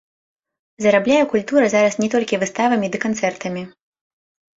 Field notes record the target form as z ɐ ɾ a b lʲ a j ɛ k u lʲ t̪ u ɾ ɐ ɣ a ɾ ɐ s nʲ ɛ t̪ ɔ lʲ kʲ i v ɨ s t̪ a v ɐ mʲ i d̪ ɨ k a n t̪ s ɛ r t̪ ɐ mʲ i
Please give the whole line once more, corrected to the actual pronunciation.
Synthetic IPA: z ɐ ɾ a b lʲ a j ɛ k u lʲ t̪ u ɾ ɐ z a ɾ ɐ s nʲ ɛ t̪ ɔ lʲ kʲ i v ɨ s t̪ a v ɐ mʲ i d̪ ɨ k a n t̪ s ɛ r t̪ ɐ mʲ i